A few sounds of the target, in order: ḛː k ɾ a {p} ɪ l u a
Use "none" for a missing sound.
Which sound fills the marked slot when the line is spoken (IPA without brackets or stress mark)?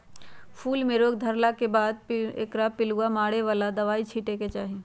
p